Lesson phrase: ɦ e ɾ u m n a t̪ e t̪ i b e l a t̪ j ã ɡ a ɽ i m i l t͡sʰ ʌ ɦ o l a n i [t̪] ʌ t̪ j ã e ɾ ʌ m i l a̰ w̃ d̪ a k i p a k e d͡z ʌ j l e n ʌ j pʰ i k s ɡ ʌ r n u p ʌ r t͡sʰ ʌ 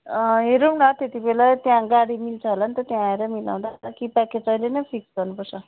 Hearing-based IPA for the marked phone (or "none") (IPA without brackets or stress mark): t̪